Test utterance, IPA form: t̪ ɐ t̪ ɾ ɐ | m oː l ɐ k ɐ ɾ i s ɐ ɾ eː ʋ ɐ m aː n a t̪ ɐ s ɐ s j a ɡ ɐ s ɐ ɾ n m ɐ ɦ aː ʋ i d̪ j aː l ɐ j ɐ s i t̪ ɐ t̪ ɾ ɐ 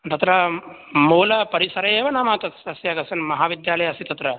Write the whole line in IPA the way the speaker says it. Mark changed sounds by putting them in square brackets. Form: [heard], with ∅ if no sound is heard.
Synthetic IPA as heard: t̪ ɐ t̪ ɾ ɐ | m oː l ɐ [p] ɐ ɾ i s ɐ ɾ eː ʋ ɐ [n] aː [m] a t̪ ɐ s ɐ s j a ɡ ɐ s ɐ [∅] n m ɐ ɦ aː ʋ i d̪ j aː l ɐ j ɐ s i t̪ ɐ t̪ ɾ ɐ